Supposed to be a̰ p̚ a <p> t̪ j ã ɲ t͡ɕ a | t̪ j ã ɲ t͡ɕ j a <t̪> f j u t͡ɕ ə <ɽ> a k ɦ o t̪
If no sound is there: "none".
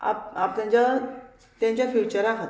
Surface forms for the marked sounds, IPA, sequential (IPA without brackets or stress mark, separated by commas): p, none, ɾ